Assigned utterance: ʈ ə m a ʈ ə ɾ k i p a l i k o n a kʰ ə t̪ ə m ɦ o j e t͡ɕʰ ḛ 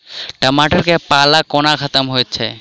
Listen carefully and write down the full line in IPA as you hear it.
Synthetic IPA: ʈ ə m a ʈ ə ɾ k e p a l a k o n a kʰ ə t̪ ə m ɦ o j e t͡ɕʰ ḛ